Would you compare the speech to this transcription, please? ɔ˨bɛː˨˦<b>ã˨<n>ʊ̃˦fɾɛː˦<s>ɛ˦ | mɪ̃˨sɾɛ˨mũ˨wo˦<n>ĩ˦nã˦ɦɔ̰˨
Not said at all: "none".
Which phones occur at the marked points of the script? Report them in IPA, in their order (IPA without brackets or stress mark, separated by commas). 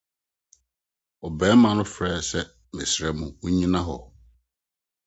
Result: m, n, s, ɲ